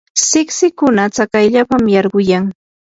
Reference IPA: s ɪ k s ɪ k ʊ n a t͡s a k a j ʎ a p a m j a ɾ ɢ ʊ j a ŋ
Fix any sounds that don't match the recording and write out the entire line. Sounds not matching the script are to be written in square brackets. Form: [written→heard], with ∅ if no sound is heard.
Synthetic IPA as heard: s ɪ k s ɪ k ʊ n a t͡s a k a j ʎ a p a m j [a→ɑ] ɾ ɢ ʊ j a ŋ